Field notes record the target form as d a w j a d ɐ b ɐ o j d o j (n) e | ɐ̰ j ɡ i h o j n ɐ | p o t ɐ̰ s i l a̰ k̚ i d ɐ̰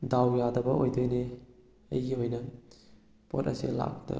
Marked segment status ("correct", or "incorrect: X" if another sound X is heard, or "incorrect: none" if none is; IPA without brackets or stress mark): correct